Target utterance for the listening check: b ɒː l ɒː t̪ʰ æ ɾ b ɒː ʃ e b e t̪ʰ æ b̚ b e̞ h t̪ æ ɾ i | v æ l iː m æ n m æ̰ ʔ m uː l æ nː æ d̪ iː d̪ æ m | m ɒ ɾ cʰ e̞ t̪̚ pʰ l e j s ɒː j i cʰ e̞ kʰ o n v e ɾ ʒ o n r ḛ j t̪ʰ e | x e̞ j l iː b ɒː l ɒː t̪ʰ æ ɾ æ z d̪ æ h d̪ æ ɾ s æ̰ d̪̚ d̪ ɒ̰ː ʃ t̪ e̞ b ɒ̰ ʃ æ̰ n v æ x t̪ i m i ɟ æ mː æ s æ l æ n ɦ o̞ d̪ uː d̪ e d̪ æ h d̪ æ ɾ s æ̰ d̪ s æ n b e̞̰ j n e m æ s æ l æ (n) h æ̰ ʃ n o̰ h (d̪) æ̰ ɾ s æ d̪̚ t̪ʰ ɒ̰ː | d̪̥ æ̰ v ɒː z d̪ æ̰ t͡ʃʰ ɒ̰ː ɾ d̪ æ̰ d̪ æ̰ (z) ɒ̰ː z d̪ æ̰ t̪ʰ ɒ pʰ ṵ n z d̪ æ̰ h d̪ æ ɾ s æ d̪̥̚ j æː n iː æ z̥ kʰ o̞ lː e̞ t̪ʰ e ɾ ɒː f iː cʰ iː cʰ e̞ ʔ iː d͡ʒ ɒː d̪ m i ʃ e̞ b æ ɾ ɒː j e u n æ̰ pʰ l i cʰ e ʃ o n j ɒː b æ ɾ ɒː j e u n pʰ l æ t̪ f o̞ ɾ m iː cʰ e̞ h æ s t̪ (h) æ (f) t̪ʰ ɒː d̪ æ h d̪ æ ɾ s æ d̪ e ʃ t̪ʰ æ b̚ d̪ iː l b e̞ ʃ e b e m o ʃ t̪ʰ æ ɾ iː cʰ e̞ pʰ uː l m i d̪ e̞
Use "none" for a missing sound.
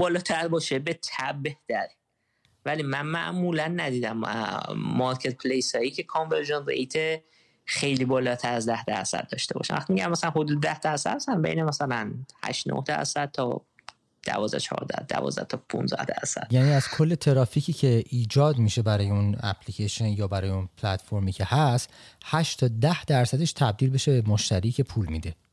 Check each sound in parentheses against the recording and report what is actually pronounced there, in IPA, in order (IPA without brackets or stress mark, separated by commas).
n, d̪, v, h, ʃ